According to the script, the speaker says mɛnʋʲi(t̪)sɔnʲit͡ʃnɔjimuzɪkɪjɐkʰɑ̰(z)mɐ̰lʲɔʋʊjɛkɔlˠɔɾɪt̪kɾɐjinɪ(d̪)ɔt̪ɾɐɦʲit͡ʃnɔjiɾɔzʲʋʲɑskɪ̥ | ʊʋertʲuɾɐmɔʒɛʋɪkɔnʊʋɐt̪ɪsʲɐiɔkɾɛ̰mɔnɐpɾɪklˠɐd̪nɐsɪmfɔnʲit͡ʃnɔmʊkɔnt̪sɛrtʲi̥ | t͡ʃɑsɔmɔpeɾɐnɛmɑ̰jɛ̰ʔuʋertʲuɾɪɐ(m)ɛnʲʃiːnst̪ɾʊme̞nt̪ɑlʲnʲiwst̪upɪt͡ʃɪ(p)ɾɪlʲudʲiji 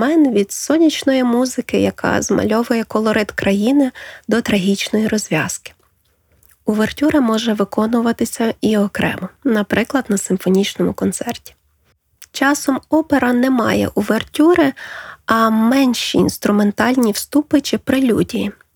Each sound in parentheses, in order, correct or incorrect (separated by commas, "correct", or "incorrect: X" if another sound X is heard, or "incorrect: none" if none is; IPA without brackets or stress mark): incorrect: d̪, correct, correct, correct, correct